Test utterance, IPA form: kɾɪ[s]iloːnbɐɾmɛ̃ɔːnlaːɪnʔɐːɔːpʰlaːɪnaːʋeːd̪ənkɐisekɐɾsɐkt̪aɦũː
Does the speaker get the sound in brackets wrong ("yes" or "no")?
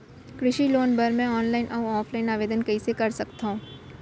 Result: yes